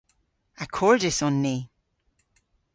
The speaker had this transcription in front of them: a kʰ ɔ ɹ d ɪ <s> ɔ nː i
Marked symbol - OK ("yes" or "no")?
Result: yes